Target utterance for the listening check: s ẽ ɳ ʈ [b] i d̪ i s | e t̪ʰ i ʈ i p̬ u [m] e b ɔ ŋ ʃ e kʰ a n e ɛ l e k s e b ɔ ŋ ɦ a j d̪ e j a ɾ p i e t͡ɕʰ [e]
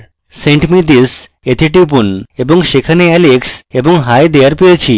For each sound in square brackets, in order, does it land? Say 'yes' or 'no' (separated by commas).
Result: no, no, no